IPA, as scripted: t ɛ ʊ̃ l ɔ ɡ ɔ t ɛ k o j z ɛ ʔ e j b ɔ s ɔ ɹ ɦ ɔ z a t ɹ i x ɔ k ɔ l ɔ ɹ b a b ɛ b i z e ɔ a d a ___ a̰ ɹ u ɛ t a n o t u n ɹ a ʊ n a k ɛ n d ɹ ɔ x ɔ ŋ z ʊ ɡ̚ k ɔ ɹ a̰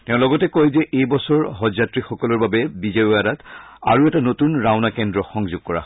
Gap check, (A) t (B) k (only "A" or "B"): A